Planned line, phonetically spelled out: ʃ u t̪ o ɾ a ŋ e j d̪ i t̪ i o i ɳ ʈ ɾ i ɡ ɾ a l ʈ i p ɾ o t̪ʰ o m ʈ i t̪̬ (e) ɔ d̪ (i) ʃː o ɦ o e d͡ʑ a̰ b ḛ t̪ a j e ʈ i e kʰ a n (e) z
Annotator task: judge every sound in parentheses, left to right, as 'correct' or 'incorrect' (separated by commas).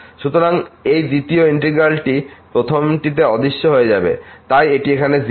correct, correct, correct